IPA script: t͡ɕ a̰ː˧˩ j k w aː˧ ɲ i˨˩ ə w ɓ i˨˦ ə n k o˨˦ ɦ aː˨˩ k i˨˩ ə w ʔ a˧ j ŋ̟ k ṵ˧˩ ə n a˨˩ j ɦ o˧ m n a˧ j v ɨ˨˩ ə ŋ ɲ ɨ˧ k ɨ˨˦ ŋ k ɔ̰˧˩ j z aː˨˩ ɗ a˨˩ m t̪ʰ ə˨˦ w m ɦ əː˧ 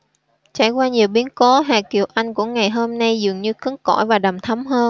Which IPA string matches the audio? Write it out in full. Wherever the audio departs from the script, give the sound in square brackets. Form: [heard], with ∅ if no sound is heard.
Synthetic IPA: t͡ɕ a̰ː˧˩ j k w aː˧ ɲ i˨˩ ə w ɓ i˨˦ ə n k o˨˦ ɦ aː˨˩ k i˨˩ ə w ʔ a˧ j ŋ̟ k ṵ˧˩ ə [ŋ] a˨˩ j ɦ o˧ m n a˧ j [z] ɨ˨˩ ə ŋ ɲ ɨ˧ k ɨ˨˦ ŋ k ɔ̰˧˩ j [v] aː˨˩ ɗ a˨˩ m t̪ʰ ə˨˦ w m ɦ əː˧